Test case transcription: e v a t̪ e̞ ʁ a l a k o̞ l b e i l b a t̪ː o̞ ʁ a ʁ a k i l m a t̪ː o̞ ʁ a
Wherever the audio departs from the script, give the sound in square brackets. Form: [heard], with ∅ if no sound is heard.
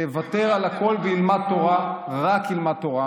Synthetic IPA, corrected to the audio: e v a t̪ e̞ ʁ a l a k o̞ l b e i l [m] a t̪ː o̞ ʁ a ʁ a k i l m a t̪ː o̞ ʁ a

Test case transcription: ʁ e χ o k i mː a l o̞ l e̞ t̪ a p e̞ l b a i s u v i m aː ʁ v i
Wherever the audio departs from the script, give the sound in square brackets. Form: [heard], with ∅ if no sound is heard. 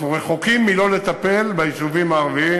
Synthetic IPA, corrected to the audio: ʁ e χ o k i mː [i] l o̞ l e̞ t̪ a p e̞ l b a i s u v i m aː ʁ v i

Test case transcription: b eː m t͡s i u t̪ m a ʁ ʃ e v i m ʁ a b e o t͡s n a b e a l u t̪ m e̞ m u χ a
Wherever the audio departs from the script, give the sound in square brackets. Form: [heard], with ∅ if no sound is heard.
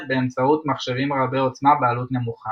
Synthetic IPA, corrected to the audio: b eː m t͡s [a] u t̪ m a [χ] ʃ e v i m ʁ a b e o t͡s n a b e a l u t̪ [n] e̞ m u χ a

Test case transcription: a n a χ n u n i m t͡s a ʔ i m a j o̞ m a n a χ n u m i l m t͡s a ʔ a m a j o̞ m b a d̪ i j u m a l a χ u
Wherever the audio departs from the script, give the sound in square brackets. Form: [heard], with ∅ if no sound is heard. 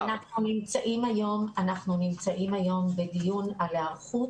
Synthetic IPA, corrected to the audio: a n a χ n u n i m t͡s a ʔ i m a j o̞ m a n a χ n u [n] i [∅] m t͡s a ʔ [i] m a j o̞ m b [e] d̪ i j u [n] a l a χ u

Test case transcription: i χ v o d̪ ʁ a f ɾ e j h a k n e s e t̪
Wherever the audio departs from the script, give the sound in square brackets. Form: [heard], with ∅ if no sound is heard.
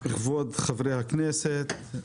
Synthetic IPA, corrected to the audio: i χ v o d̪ [χ] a [v] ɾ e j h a k n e s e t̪

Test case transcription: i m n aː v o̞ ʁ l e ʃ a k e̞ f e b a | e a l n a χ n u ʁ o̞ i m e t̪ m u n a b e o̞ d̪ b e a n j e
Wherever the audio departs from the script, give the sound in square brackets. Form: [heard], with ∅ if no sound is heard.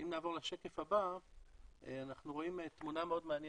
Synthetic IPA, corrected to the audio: i m n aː v o̞ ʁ l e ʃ [e] k e̞ f [a] b a | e a [∅] n a χ n u ʁ o̞ i m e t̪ m u n a [m] e o̞ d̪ [m] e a n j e

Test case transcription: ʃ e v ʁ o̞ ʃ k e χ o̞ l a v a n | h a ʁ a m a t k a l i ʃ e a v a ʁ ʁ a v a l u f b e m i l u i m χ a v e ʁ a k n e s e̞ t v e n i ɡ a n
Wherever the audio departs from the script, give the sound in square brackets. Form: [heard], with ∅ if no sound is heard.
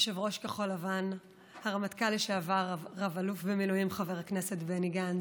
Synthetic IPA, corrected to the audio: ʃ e v ʁ o̞ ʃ k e χ o̞ l a v a n | h a ʁ a m a t k a l i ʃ e a v a ʁ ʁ a v a l u f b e m i l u i m χ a v e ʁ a k n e s e̞ t [b] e n i ɡ a n

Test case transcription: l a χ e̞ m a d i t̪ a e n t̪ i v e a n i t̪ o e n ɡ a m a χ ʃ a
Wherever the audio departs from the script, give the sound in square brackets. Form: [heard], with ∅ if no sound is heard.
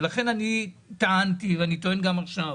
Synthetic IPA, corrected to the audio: l a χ e̞ [n] a [n] i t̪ a [a] n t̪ i v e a n i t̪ o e n ɡ a m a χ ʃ a

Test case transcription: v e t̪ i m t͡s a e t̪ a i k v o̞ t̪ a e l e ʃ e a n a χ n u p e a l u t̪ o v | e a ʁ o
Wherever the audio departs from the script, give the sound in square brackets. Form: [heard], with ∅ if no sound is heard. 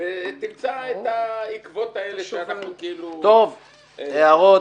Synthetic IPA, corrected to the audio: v e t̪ i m t͡s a e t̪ a i k v o̞ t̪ a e l e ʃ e a n a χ n u [k] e [i] l u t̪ o v | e a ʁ o

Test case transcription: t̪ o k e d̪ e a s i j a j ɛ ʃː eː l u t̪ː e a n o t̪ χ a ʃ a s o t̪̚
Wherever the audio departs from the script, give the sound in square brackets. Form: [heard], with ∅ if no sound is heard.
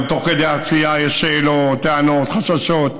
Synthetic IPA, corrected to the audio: t̪ o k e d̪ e a s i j a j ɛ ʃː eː l [o] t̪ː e a n o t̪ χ a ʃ a [ʃ] o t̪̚

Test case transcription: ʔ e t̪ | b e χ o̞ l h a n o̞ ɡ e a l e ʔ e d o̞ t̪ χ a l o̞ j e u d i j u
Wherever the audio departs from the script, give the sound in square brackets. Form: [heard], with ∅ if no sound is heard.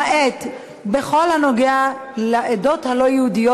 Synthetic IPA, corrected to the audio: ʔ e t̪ | b e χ o̞ l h a n o̞ ɡ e a l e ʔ e d o̞ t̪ [h] a l o̞ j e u d i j [o]

